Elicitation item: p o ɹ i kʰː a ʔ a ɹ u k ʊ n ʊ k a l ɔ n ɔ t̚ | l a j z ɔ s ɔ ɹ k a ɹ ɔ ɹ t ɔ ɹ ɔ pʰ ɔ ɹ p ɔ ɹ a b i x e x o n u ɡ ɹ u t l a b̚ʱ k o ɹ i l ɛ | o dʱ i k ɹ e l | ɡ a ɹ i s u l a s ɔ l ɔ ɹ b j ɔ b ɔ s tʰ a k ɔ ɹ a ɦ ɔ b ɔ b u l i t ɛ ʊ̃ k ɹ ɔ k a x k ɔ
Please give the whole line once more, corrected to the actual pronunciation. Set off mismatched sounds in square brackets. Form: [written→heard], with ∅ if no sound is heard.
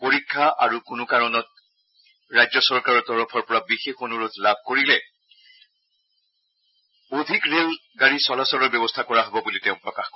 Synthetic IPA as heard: p o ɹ i kʰː a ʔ a ɹ u k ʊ n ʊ k a [l→ɹ] ɔ n ɔ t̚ | [l→ɹ] a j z ɔ s ɔ ɹ k a ɹ ɔ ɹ t ɔ ɹ ɔ pʰ ɔ ɹ p ɔ ɹ a b i x e x o n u [ɡ→∅] ɹ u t l a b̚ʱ k o ɹ i l ɛ | o dʱ i k ɹ e l | ɡ a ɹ i s [u→ɔ] l a s ɔ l ɔ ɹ b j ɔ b ɔ s tʰ a k ɔ ɹ a ɦ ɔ b ɔ b u l i t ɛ ʊ̃ [k→p] ɹ ɔ k a x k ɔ